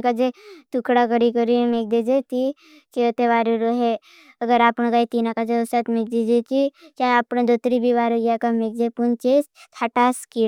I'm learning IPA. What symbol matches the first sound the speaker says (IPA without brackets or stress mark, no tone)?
k